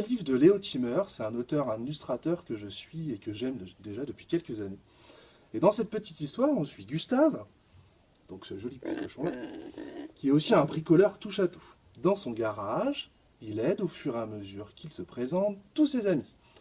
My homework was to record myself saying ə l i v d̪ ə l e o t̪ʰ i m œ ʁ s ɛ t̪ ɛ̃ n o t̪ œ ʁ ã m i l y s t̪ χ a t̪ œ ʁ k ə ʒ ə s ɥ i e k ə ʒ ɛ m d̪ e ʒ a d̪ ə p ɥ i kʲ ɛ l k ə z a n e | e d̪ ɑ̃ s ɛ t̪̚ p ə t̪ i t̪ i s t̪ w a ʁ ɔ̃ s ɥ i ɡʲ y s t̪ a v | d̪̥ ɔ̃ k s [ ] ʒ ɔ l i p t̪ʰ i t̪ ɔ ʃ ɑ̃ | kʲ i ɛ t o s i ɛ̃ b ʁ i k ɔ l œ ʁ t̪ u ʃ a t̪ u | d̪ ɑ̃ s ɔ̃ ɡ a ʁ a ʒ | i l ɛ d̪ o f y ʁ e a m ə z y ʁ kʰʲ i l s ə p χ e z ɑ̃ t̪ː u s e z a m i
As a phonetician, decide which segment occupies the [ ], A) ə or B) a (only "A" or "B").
A